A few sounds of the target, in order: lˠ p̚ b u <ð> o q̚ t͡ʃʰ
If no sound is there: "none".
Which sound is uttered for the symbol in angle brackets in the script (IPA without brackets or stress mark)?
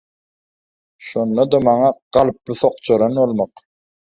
θ